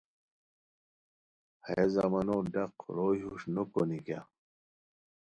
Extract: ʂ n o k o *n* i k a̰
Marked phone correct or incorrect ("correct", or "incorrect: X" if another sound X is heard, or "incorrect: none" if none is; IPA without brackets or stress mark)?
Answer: correct